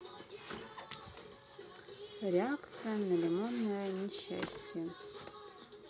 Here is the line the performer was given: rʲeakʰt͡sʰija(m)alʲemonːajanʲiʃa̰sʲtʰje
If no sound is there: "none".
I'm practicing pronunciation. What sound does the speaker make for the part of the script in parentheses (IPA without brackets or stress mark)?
n